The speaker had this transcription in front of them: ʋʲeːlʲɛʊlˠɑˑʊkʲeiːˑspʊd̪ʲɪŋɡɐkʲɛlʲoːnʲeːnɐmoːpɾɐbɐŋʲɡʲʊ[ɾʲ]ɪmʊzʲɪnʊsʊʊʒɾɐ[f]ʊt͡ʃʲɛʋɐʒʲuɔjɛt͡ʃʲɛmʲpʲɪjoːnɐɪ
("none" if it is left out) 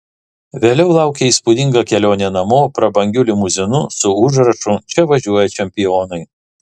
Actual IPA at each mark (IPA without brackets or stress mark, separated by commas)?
lʲ, ʃ